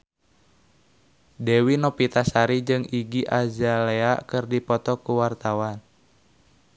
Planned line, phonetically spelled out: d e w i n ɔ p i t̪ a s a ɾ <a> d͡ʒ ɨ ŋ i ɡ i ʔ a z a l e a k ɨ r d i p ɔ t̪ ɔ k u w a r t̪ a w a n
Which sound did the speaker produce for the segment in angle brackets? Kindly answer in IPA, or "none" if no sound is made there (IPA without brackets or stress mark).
i